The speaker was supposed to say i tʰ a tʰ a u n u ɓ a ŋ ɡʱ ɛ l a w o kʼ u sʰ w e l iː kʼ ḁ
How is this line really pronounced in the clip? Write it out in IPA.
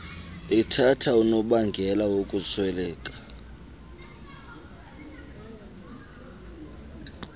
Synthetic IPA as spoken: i tʰ a tʰ a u n ɔ ɓ a ŋ ɡʱ ɛ l a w o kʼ u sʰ w ɛ l ɛː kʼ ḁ